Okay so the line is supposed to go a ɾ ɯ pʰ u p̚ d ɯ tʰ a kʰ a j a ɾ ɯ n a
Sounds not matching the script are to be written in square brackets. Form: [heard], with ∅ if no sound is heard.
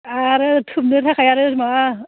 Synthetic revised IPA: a ɾ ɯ [tʰ] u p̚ [n] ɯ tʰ a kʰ a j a ɾ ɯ [m] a

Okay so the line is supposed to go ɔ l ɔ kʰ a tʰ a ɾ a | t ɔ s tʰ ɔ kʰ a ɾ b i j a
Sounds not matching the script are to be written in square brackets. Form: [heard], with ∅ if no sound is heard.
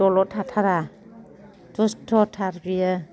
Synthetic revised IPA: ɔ l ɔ [tʰ] a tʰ a ɾ a | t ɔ s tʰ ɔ [tʰ] a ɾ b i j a

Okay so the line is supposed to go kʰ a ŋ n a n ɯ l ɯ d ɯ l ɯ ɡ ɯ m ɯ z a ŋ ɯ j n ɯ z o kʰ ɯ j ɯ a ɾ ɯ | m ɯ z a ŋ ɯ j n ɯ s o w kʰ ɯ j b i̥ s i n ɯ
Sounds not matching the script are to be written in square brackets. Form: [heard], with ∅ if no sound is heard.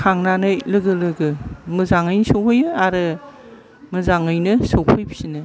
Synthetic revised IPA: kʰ a ŋ n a n ɯ l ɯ [ɡ] ɯ l ɯ ɡ ɯ m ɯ z a ŋ ɯ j n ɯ [s] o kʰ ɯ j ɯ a ɾ ɯ | m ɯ z a ŋ ɯ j n ɯ s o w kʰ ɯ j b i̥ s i n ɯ

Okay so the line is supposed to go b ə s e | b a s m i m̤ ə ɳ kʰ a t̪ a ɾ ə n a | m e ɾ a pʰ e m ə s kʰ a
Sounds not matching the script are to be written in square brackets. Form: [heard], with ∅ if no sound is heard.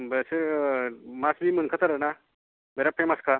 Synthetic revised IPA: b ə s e | [m] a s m i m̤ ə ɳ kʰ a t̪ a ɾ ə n a | m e ɾ a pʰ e m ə s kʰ a

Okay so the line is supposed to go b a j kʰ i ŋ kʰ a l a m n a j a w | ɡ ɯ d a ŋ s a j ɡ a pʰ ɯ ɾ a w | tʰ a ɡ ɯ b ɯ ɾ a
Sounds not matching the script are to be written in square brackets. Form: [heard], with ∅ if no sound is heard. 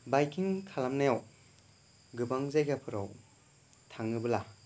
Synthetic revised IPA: b a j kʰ i ŋ kʰ a l a m n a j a w | ɡ ɯ [b] a ŋ [z] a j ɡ a pʰ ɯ ɾ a w | tʰ a [ŋ] ɯ b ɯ [l] a

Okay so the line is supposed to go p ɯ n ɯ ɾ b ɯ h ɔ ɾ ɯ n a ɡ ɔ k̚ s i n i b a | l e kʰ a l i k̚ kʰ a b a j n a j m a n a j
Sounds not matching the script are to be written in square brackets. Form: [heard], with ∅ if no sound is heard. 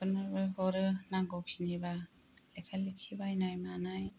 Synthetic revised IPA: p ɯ n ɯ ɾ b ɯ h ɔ ɾ ɯ n a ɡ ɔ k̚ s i n i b a | l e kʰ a l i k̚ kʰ [i] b a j n a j m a n a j

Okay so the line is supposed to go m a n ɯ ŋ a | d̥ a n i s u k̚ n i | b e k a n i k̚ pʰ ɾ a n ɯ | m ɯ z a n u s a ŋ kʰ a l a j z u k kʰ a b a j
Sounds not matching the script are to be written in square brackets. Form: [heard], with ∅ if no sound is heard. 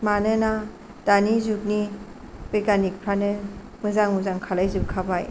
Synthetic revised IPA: m a n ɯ [n] a | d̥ a n i [z] u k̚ n i | b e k a n i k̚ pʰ ɾ a n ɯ | m ɯ z a [ŋ] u [z] a ŋ kʰ a l a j z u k kʰ a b a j

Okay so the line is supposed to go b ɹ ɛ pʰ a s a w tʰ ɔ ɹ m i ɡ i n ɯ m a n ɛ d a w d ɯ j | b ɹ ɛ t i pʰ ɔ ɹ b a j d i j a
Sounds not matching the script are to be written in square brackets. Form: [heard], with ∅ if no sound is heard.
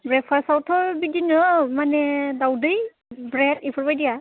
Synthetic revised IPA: b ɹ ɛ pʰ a s a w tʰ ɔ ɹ [b] i [d] i n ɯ m a n ɛ d a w d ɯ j | b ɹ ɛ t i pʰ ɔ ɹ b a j d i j a

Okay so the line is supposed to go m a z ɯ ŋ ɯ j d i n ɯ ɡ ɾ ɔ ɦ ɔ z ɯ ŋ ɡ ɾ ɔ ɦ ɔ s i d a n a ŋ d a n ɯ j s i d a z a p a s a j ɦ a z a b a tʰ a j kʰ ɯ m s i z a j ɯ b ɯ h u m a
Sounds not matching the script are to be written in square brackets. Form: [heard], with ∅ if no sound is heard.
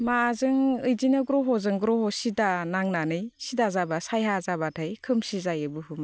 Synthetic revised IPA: m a z ɯ ŋ ɯ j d i n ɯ ɡ ɾ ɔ ɦ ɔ z ɯ ŋ ɡ ɾ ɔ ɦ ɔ s i d a n a ŋ [n] a n ɯ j s i d a z a [b] a s a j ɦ a z a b a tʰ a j kʰ ɯ m s i z a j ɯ b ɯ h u m a

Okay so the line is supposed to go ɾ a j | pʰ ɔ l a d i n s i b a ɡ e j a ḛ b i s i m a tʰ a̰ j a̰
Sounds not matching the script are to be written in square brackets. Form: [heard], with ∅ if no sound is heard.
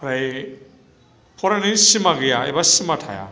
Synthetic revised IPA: ɾ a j | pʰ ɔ [ɾ] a [n] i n s i [m] a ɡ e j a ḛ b [a] s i m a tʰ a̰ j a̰

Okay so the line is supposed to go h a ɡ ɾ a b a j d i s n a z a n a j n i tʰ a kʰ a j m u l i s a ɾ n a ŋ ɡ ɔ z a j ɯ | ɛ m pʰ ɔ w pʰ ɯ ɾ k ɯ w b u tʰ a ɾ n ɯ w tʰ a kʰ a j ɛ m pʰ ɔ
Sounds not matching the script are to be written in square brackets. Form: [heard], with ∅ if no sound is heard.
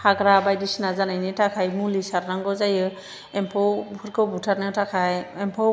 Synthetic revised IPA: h a ɡ ɾ a b a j d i s n a z a n a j n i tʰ a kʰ a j m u l i s a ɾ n a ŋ ɡ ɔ z a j ɯ | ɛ m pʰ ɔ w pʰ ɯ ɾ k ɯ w b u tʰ a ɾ n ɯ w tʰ a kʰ a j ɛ m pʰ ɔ

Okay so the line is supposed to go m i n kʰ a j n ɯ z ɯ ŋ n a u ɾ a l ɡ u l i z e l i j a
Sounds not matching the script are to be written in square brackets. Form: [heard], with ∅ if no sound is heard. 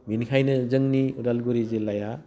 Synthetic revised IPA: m i n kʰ a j n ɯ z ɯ ŋ n [i] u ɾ a l ɡ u [ɾ] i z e l [a] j a

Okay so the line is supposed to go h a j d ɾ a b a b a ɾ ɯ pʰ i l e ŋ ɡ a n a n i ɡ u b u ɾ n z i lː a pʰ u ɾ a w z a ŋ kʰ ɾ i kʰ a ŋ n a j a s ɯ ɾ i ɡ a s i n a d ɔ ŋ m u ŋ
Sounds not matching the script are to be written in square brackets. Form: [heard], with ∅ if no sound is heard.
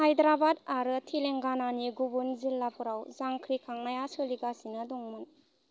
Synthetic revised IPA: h a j d ɾ a b a [d] a ɾ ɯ [tʰ] i l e ŋ ɡ a n a n i ɡ u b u [∅] n z i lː a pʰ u ɾ a w z a ŋ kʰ ɾ i kʰ a ŋ n a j a s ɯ [l] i ɡ a s i n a d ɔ ŋ m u [n]

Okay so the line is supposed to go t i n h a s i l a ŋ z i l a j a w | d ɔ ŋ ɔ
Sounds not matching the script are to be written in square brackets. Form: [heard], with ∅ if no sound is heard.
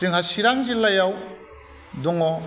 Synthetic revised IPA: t i [ŋ] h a s i [ɾ] a ŋ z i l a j a w | d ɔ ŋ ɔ

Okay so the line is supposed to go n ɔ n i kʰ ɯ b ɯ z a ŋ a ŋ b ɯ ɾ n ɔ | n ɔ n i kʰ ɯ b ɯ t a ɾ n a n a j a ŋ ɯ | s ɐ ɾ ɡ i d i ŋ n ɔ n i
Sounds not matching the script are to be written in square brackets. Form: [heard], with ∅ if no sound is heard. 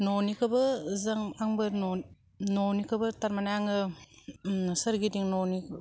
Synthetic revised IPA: n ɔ n i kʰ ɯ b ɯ z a ŋ a ŋ b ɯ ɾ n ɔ | n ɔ n i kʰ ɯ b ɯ t a ɾ [m] a n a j a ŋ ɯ | s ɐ ɾ ɡ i d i ŋ n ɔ n i

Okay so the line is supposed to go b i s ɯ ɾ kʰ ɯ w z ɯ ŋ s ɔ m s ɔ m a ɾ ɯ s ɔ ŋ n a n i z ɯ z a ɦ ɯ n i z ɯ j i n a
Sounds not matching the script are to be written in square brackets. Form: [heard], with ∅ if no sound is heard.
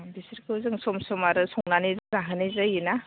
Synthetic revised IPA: b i s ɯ ɾ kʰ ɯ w z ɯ ŋ s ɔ m s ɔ m a ɾ ɯ s ɔ ŋ n a n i z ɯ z a ɦ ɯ n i z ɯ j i n a

